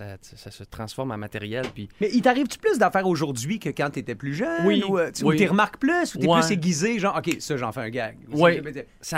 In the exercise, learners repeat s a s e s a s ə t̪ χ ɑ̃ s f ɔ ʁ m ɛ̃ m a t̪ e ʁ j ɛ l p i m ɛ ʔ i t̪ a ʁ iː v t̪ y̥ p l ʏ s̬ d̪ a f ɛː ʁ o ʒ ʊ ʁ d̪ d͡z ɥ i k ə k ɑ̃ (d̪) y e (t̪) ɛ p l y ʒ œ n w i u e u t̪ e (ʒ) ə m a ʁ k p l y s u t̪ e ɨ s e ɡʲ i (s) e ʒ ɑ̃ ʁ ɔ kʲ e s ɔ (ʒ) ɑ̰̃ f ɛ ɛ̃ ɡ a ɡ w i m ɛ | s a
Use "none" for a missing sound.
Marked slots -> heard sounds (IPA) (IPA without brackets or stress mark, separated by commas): t̪, t̪, ʁ, z, ʒ